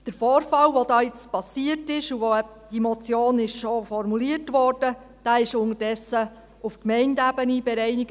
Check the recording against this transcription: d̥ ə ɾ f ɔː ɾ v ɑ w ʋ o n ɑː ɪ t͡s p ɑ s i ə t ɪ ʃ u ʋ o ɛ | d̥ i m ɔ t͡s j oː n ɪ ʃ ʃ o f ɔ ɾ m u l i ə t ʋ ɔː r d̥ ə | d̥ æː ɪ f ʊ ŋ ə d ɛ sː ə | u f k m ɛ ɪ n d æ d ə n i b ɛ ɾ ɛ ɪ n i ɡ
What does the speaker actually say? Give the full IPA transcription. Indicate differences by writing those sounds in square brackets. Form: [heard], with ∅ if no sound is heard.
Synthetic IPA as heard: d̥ ə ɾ f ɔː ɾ [f] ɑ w ʋ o [d] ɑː ɪ t͡s p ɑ s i ə t ɪ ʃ u ʋ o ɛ | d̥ i m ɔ t͡s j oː n ɪ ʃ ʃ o f ɔ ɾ m u l i ə t ʋ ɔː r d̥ ə | d̥ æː ɪ [ʃ] ʊ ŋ ə d ɛ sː ə | u f k m ɛ ɪ n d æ [b] ə n i b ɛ ɾ ɛ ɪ n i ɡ

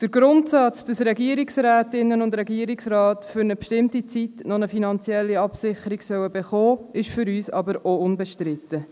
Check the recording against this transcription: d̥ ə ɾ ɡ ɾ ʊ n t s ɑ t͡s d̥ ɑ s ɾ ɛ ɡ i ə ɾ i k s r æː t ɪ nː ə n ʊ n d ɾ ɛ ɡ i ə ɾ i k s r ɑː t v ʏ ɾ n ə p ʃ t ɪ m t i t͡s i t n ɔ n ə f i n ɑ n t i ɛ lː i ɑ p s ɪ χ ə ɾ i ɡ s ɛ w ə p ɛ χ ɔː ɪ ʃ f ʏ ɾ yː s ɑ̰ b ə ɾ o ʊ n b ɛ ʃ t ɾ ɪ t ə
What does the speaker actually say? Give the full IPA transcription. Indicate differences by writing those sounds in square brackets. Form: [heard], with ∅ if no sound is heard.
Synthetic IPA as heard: d̥ ə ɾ ɡ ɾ ʊ n t s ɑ t͡s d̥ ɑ s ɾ ɛ ɡ i ə ɾ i k s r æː t ɪ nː ə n ʊ n d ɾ ɛ ɡ i ə ɾ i k s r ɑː t [f] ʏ ɾ n ə p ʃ t ɪ m t i t͡s i t n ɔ n ə f i n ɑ n [t͡s] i ɛ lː i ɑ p s ɪ χ ə ɾ i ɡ s [œ] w ə [b] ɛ χ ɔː ɪ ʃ f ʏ ɾ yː s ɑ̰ b ə ɾ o ʊ n b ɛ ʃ t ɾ ɪ t ə

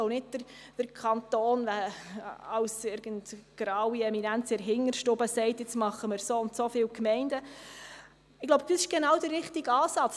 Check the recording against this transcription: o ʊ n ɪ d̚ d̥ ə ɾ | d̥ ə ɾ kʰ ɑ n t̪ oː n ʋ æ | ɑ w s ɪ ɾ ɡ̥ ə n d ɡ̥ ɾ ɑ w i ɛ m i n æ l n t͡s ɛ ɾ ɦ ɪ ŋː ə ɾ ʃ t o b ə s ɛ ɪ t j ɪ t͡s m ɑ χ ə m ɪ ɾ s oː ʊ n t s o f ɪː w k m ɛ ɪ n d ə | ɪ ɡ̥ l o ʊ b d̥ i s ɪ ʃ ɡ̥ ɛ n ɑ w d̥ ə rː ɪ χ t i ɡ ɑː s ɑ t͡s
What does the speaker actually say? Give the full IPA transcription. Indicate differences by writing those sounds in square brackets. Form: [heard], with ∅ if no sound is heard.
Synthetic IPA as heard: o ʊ n ɪ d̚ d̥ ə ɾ | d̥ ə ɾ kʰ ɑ n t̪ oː n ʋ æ | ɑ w s ɪ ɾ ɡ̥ ə n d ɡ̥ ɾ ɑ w i ɛ m i n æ [∅] n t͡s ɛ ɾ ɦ ɪ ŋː ə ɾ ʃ t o b ə s ɛ ɪ t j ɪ t͡s m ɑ χ ə m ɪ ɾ s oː ʊ n t s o f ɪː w k m ɛ ɪ n d ə | ɪ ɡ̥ l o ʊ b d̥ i s ɪ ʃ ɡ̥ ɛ n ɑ w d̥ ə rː ɪ χ t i ɡ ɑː s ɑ t͡s

